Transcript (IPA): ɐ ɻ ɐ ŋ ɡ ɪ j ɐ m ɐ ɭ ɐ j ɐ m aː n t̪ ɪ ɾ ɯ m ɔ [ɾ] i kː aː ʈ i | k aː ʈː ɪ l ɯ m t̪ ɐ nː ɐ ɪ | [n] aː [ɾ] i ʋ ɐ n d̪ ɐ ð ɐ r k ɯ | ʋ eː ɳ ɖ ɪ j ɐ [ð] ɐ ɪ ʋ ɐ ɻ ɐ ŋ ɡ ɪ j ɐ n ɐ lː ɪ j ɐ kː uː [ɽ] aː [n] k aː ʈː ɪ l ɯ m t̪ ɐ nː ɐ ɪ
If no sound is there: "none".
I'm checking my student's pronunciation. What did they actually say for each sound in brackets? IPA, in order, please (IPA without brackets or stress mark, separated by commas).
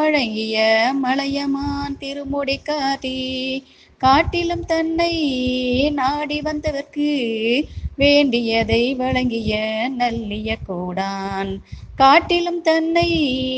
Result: ɽ, n, ɽ, ð, ɽ, n